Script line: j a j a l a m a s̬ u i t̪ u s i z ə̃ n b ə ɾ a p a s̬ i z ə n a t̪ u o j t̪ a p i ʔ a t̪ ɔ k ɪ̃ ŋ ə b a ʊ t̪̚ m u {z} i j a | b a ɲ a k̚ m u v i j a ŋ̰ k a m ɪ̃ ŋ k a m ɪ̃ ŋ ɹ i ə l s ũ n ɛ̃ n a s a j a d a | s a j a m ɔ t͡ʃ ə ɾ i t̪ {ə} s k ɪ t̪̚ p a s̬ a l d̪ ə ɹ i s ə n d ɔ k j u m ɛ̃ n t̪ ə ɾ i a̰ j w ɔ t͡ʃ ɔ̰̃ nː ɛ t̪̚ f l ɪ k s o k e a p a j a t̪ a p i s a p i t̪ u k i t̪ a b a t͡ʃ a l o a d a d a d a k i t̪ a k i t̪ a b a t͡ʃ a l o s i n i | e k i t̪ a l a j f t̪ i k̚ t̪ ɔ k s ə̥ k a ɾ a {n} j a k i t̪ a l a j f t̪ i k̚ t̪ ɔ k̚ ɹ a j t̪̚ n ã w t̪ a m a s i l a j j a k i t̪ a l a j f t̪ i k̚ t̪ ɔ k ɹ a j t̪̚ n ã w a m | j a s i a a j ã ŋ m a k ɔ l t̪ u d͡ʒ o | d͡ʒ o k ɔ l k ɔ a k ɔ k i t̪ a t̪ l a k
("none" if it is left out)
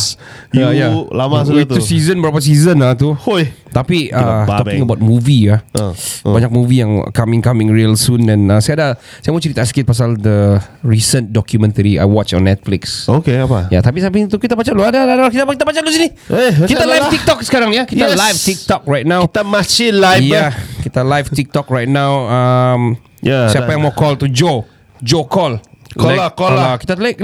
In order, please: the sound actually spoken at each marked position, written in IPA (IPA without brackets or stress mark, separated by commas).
v, a, ŋ